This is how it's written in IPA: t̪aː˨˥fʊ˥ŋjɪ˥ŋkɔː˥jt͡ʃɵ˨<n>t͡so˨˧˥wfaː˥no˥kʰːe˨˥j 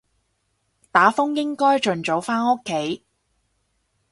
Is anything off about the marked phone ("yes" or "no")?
no